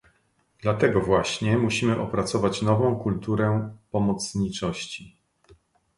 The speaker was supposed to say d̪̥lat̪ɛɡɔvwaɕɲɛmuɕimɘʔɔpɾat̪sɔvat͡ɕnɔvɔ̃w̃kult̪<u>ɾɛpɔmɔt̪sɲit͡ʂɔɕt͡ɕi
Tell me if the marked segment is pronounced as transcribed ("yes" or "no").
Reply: yes